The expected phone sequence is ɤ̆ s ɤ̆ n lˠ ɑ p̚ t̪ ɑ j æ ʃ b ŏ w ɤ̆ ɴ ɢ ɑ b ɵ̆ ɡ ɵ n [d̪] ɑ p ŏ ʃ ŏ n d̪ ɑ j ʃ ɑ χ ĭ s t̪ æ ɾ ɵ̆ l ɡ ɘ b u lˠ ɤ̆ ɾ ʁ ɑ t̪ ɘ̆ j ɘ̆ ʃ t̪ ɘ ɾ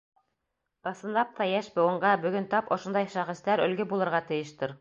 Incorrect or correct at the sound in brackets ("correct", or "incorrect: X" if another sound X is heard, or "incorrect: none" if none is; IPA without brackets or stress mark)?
incorrect: t̪